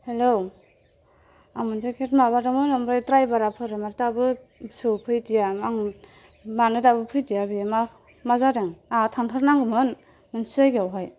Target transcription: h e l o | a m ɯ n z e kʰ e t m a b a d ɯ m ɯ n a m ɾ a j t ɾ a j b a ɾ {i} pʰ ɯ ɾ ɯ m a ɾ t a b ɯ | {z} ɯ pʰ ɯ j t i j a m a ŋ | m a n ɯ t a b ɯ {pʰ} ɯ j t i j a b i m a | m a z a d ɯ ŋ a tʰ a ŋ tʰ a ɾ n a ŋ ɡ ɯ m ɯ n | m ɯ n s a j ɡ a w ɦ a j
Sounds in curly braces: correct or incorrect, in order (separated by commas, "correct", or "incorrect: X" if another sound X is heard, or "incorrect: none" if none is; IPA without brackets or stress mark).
incorrect: a, incorrect: s, correct